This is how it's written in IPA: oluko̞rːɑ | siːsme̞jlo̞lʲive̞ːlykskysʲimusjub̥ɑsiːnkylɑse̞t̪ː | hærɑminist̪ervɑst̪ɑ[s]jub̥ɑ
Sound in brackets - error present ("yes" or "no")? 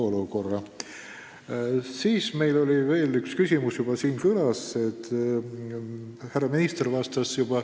no